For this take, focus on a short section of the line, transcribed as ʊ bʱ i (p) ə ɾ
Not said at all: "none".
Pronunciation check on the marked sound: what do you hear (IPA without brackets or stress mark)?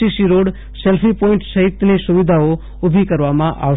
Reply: k